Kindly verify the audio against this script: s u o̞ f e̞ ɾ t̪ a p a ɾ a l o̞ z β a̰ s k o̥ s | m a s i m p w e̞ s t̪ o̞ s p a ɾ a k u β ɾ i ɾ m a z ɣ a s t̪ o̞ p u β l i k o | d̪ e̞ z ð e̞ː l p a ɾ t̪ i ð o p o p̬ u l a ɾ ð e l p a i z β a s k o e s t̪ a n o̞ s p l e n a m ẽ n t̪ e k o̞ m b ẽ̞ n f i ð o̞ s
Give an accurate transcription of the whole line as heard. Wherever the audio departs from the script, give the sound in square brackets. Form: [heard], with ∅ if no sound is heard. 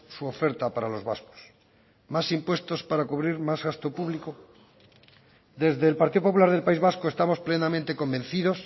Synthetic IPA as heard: s u o̞ f e̞ ɾ t̪ a p a ɾ a l o̞ z β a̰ s k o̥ s | m a s i m p w e̞ s t̪ o̞ s p a ɾ a k u β ɾ i ɾ m a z ɣ a s t̪ o̞ p u β l i k o | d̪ e̞ z ð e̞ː l p a ɾ t̪ i ð o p o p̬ u l a ɾ ð e l p a i z β a s k o e s t̪ a [m] o̞ s p l e n a m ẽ n t̪ e k o̞ m b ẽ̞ n [θ] i ð o̞ s